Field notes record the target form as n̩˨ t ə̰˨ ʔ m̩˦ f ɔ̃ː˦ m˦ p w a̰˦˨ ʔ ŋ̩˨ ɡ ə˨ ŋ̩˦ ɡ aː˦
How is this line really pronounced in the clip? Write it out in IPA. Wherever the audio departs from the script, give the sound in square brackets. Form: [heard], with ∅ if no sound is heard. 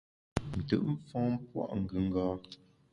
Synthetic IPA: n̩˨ t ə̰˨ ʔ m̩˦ f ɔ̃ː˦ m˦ p w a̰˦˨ ʔ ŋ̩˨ ɡ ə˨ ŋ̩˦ ɡ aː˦